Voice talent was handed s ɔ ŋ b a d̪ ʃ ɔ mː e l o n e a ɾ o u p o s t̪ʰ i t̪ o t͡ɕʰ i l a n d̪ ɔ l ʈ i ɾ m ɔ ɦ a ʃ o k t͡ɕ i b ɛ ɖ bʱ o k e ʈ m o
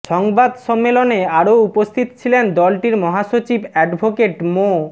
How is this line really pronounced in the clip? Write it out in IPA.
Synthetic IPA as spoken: ʃ ɔ ŋ b a d̪ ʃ ɔ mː e l o n e a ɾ o u p o s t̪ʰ i t̪ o t͡ɕʰ i l e n d̪ ɔ l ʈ i ɾ m ɔ ɦ a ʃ o t͡ɕ i b ɛ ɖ bʱ o k e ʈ m o